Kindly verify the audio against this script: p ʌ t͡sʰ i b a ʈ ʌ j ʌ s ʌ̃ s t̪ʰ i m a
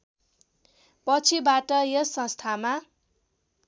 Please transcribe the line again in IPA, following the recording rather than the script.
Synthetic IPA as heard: p ʌ t͡sʰ i b a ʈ ʌ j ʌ s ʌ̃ s t̪ʰ a m a

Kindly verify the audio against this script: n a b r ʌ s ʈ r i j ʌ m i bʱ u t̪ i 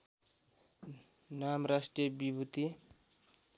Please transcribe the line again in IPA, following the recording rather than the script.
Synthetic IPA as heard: n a m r a s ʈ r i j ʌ b i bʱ u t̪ i

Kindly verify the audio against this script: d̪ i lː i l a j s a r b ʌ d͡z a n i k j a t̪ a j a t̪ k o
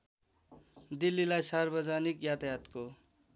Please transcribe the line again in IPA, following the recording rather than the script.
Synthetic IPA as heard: d̪ i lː i l a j s a r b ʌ d͡z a n i k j a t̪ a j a t̪ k o

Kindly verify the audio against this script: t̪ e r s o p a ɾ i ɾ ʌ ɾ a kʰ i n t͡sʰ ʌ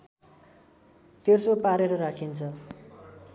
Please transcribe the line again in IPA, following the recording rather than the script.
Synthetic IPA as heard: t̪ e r s o p a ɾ e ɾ ʌ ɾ a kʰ i n t͡sʰ ʌ

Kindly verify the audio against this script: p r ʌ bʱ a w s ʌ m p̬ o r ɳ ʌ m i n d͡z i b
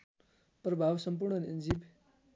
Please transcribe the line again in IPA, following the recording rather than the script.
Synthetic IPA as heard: p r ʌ bʱ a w s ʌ m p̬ u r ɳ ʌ n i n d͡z i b

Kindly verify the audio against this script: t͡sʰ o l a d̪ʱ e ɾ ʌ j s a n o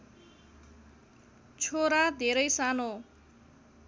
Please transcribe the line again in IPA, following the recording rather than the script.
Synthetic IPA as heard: t͡sʰ o ɾ a d̪ʱ e ɾ ʌ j s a n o

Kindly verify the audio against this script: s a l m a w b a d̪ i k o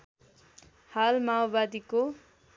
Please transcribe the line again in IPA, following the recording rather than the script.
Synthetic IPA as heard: h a l m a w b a d̪ i k o

